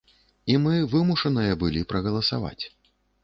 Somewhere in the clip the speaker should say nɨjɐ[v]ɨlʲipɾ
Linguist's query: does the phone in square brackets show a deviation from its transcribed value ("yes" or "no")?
yes